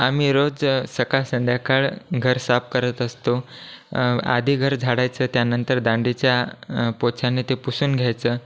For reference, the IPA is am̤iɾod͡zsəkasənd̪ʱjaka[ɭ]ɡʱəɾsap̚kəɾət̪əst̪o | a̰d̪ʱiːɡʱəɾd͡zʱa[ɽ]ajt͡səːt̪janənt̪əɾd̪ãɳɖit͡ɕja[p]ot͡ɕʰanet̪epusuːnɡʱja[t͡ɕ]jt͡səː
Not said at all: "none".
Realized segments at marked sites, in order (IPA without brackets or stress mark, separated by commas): ɭ, ɽ, p, none